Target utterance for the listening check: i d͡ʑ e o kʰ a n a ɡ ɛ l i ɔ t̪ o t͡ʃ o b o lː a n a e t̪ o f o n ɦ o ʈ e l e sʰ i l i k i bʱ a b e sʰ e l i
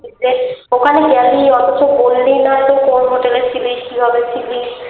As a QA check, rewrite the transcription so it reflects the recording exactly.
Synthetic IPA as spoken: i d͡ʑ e o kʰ a n e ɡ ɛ l i ɔ t̪ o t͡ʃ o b o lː i n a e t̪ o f o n ɦ o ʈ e l e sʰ i l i k i bʱ a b e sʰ i l i